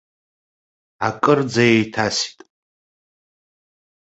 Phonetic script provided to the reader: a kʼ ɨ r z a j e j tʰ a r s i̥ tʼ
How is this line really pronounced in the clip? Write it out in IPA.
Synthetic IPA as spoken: a kʼ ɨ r d͡z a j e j tʰ a s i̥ tʼ